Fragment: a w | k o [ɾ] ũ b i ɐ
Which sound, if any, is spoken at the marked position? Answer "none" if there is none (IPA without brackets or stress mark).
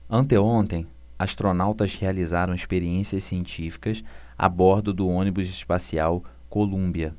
l